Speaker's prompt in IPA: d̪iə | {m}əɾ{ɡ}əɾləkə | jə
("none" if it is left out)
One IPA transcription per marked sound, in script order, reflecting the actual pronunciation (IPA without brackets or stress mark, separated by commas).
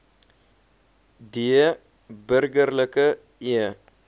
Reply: b, ɡ